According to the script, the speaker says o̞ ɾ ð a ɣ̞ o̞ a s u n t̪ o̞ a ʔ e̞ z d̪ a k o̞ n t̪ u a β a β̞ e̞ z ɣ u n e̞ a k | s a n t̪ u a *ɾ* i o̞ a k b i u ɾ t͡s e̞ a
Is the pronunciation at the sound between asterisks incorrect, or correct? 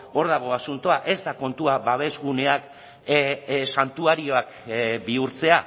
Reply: correct